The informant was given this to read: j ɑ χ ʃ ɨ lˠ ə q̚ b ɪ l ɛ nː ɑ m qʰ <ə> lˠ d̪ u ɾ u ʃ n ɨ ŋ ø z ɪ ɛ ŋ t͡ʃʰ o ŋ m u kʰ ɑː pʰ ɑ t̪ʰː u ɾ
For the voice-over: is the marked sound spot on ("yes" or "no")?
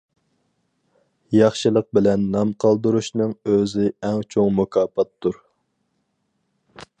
no